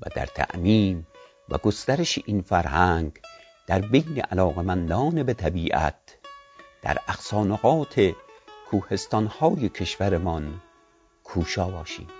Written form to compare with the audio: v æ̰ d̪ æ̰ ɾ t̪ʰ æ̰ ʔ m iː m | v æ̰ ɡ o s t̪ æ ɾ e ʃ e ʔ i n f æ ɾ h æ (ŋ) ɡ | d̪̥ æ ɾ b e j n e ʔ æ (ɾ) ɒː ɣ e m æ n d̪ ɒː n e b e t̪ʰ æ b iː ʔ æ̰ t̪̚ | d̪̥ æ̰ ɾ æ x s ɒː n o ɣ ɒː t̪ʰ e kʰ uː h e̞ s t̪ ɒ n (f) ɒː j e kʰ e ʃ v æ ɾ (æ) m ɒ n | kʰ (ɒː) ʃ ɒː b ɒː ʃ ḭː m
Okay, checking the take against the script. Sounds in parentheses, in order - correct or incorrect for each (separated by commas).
correct, incorrect, incorrect, incorrect, incorrect